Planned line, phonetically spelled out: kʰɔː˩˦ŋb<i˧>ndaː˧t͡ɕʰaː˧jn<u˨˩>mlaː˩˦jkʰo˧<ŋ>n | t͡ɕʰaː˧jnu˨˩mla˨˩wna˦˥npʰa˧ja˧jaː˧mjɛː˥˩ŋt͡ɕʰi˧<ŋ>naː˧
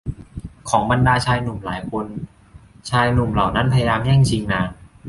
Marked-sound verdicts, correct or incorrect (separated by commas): incorrect, correct, incorrect, correct